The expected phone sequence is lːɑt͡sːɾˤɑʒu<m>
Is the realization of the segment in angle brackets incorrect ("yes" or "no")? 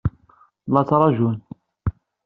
yes